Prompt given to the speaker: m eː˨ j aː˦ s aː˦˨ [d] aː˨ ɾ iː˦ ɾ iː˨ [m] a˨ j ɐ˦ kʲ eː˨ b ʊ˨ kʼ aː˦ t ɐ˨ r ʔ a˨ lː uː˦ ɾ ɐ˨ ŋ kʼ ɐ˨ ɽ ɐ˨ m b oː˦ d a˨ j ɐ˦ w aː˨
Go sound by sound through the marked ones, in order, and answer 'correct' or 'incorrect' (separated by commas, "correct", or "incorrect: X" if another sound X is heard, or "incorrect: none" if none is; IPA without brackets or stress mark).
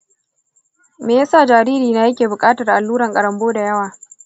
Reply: incorrect: d͡ʒ, incorrect: n